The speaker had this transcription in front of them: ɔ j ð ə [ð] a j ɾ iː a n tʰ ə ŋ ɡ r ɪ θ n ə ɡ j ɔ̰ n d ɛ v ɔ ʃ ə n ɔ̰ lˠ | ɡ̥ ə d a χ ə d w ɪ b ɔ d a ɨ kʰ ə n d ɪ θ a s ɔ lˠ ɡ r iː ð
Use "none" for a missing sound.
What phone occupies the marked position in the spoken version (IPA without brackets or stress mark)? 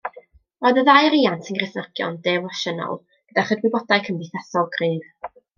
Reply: ð